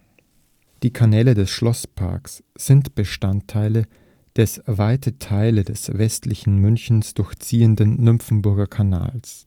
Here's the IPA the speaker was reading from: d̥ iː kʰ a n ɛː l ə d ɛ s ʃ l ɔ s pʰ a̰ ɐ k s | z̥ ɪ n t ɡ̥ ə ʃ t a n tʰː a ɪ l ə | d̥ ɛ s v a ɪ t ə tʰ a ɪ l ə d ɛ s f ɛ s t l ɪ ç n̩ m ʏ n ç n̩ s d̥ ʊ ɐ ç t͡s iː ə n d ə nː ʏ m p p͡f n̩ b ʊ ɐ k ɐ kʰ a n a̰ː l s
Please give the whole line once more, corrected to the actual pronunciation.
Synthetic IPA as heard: d̥ iː kʰ a n ɛː l ə d ɛ s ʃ l ɔ s pʰ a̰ ɐ k s | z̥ ɪ n t b̥ ə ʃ t a n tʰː a ɪ l ə | d̥ ɛ s v a ɪ t ə tʰ a ɪ l ə d ɛ s v ɛ s t l ɪ ç n̩ m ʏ n ç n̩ s d̥ ʊ ɐ ç t͡s iː ə n d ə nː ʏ m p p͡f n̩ b ʊ ɐ ɡ ɐ kʰ a n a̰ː l s